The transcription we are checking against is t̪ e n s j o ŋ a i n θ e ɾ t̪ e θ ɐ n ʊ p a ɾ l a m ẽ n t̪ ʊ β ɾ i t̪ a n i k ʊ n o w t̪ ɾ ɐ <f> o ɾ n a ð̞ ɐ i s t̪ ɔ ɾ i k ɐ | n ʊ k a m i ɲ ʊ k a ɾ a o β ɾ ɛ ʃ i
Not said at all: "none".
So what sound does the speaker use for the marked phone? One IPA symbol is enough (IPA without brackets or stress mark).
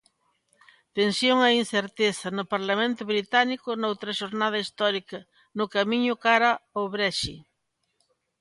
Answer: ʃ